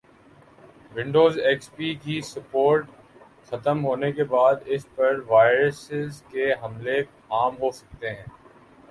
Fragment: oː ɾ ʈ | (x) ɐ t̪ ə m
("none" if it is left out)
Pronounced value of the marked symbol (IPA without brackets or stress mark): x